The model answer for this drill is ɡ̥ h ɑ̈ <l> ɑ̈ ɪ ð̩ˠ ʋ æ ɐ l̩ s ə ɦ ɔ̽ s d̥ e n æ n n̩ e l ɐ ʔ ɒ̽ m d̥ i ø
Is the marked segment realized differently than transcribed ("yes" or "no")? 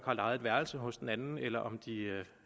no